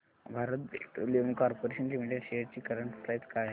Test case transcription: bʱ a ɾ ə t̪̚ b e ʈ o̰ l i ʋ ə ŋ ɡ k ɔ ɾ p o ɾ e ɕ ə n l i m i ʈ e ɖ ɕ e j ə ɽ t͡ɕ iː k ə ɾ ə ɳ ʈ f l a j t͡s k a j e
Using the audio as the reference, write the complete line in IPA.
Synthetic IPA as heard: bʱ a ɾ ə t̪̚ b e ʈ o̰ l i ʋ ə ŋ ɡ k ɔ ɾ p o ɾ e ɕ ə n l i m i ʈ e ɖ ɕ e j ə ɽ t͡ɕ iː k ə ɾ ə ɳ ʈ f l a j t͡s k a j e

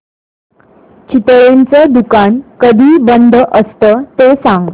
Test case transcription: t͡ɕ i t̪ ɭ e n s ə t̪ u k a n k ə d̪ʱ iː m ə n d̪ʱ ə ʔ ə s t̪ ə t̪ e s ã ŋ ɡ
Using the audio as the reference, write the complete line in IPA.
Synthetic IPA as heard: t͡ɕ i t̪ ɭ e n t͡s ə d̪ u k a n k ə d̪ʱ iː b ə n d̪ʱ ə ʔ ə s t̪ ə t̪ e s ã ŋ ɡ

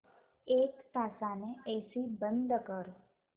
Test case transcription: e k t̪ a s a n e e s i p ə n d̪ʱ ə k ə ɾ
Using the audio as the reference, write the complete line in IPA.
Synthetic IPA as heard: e k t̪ a s a n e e s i b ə n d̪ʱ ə k ə ɾ

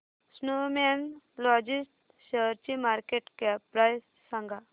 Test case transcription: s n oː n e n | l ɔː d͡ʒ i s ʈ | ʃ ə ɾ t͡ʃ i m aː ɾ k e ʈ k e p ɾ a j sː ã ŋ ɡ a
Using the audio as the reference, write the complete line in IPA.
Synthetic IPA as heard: s n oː m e n | l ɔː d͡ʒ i s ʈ | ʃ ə ɾ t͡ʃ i m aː ɾ k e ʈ k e p ɾ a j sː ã ŋ ɡ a

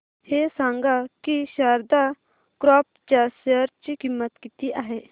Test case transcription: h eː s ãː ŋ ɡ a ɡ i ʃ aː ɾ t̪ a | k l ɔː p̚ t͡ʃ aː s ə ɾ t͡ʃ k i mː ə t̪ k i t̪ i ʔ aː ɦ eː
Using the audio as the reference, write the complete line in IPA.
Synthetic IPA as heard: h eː s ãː ŋ ɡ a k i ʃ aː ɾ d̪ a | k ɾ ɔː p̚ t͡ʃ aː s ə ɾ t͡ʃ k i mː ə t̪ k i t̪ i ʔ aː ɦ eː

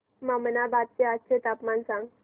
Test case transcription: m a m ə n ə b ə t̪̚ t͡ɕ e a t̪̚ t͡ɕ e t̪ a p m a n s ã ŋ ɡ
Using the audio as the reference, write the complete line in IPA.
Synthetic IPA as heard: m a m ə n a b a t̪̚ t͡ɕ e a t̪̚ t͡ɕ e t̪ a p m a n s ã ŋ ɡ

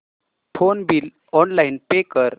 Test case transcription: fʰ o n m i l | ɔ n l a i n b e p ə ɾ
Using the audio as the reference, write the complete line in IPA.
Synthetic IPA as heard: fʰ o n b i l | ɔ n l a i n p e k ə ɾ

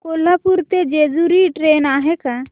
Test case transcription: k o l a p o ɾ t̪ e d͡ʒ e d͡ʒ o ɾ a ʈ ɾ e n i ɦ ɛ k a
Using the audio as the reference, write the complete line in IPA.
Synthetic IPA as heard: k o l a p u ɾ t̪ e d͡ʒ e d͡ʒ u ɾ i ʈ ɾ e n a ɦ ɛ k a

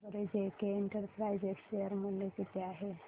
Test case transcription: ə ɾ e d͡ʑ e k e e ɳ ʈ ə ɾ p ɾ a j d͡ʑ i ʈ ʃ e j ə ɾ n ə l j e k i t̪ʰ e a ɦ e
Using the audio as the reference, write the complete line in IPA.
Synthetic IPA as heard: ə ɾ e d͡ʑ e k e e ɳ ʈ ə ɾ p ɾ a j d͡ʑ e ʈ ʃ e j ə ɾ m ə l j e k i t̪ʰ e a ɦ e

